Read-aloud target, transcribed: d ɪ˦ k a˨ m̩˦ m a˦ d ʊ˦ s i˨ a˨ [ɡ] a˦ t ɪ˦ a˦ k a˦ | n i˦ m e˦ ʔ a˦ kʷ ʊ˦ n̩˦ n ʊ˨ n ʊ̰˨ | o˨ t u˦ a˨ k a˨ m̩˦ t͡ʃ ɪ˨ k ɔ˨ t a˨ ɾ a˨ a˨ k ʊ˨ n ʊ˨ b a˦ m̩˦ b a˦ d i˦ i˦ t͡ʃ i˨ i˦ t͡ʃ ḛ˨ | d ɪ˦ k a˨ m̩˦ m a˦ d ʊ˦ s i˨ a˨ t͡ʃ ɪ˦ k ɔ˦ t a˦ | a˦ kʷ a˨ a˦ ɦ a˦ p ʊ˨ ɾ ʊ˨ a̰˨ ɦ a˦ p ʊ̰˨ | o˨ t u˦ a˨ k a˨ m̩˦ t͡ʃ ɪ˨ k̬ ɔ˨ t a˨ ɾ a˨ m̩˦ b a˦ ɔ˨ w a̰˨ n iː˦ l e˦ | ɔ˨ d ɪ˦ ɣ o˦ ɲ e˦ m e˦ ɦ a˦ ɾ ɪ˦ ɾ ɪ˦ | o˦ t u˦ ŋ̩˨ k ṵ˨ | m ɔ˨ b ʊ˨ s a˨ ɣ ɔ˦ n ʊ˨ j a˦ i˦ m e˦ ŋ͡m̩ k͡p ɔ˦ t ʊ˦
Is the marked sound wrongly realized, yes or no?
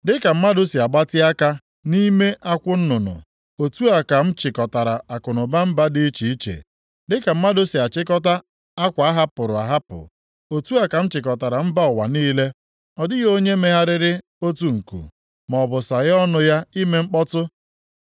yes